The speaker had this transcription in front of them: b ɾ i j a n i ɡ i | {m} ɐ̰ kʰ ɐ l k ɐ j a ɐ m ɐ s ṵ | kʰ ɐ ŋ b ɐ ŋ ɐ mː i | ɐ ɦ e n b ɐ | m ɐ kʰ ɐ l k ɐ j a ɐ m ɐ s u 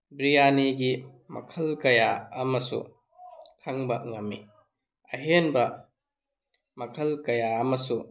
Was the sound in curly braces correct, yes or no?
yes